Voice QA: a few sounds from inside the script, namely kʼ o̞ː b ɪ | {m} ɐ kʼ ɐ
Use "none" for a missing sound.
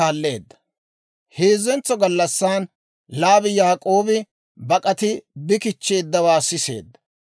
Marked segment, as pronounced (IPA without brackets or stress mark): b